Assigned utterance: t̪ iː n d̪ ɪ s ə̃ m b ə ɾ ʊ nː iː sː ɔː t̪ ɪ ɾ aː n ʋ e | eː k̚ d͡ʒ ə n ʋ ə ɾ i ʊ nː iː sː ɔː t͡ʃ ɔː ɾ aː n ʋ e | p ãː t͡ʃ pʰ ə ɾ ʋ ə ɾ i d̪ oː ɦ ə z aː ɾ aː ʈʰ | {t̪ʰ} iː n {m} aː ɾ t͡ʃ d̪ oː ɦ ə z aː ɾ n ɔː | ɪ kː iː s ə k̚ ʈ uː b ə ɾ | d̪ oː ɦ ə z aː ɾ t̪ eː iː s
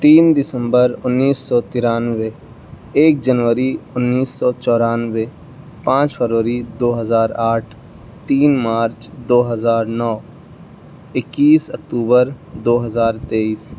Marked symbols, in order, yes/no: no, yes

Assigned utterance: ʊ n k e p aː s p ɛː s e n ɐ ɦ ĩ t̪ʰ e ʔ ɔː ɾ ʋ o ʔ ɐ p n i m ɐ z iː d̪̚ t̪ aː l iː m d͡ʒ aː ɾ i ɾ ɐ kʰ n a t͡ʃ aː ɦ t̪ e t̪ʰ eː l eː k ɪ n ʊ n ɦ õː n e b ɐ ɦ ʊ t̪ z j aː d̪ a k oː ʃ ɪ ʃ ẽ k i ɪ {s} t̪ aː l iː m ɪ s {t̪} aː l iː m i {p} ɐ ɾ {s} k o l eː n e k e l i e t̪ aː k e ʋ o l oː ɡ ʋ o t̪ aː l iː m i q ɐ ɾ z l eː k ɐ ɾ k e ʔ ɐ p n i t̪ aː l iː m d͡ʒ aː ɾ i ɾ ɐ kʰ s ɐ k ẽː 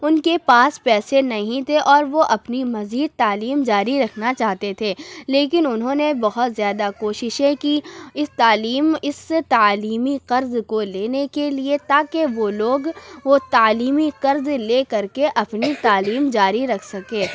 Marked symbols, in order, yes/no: yes, yes, no, no

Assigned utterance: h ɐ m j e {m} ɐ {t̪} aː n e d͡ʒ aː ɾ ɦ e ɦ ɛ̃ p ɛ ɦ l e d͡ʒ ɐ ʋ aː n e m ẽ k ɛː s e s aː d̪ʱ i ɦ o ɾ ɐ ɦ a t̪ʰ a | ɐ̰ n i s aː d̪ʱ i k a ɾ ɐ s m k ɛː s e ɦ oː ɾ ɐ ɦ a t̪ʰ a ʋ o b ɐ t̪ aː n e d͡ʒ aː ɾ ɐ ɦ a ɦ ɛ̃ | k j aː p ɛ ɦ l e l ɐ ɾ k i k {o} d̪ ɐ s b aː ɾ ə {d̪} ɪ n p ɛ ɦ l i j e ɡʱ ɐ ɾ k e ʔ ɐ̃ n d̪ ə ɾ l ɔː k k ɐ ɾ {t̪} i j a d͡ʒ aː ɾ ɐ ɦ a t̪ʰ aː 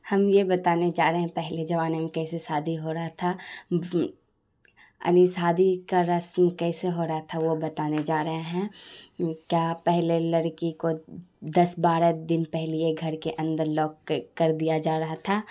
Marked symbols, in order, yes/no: no, yes, yes, yes, no

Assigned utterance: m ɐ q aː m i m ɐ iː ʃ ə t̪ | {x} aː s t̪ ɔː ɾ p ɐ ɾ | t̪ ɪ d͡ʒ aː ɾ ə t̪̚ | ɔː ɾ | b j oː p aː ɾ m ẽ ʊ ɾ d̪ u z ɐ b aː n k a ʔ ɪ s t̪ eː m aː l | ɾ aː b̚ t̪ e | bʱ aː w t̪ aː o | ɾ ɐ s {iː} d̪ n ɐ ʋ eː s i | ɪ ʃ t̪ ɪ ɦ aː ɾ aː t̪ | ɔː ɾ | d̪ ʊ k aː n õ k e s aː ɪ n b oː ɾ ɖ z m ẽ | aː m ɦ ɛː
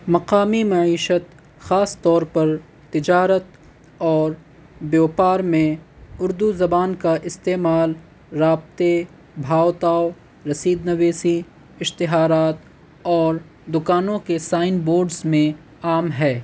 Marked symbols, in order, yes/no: yes, yes

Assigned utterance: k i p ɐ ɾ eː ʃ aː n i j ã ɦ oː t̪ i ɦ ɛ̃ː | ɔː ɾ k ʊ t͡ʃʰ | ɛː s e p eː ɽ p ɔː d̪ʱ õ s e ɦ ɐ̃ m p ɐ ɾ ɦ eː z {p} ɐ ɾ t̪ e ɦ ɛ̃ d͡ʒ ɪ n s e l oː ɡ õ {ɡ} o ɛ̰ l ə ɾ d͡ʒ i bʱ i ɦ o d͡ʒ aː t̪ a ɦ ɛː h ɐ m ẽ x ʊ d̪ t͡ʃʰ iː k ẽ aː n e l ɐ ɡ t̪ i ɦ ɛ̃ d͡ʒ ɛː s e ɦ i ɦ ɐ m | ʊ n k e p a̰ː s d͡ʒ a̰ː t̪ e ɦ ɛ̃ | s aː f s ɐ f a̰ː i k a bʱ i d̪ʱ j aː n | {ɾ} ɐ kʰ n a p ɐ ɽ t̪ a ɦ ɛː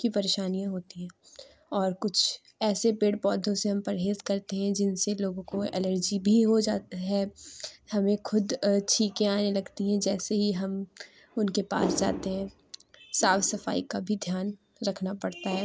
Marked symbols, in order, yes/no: no, no, yes

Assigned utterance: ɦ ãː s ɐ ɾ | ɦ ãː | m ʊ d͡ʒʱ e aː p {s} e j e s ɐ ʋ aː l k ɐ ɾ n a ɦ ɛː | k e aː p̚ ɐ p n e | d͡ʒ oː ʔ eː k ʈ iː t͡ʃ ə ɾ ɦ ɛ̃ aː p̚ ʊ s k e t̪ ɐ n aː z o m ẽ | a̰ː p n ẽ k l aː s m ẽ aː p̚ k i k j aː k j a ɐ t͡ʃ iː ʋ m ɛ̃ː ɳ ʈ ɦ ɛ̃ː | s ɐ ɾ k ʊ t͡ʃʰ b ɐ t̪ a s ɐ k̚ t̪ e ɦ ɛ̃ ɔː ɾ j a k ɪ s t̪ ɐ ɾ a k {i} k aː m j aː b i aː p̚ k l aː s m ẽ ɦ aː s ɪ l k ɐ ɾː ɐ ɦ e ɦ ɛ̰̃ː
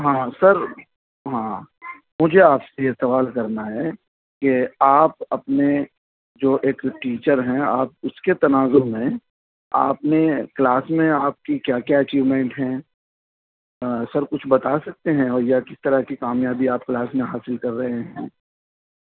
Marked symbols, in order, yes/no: yes, yes

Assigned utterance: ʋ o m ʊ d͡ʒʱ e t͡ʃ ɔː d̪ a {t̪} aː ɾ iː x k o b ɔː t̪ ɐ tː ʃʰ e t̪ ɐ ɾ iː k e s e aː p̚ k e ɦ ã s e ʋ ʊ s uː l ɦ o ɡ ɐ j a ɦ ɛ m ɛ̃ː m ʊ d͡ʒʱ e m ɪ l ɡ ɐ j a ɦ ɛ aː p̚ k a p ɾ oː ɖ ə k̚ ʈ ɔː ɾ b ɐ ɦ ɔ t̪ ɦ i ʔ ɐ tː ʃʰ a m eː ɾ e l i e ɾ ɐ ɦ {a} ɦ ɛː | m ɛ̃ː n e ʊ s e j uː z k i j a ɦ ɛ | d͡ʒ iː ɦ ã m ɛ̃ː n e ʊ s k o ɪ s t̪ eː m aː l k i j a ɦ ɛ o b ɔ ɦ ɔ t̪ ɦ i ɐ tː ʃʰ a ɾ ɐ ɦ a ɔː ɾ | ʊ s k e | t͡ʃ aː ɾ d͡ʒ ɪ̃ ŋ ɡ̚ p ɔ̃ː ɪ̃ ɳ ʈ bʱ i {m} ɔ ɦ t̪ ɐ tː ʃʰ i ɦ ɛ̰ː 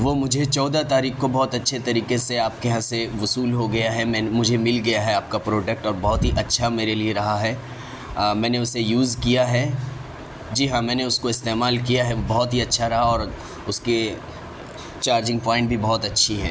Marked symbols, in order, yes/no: yes, yes, no

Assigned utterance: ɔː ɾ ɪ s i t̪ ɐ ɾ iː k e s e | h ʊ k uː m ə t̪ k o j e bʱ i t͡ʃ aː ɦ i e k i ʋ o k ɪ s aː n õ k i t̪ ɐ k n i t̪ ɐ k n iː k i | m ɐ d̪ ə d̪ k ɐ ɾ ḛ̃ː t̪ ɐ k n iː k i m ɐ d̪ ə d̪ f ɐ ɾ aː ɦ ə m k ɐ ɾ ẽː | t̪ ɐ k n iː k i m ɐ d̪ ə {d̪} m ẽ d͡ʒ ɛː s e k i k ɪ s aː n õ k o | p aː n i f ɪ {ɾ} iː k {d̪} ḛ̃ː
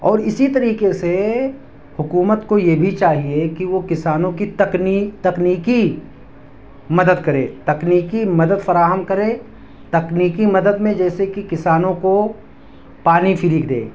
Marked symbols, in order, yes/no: yes, yes, yes

